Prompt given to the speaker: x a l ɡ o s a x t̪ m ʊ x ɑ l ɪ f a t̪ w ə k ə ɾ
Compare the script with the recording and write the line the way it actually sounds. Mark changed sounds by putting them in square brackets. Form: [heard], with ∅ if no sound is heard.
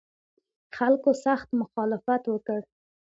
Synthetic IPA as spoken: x a l [k] o s a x t̪ m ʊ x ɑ l ɪ f a t̪ w ə k ə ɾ